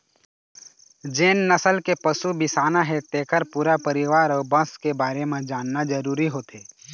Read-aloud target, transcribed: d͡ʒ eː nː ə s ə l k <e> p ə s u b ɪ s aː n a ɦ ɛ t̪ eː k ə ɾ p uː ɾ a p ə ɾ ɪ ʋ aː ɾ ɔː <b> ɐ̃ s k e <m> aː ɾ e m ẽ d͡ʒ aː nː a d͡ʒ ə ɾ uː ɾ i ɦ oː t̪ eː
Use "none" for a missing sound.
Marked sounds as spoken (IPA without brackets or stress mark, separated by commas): e, b, b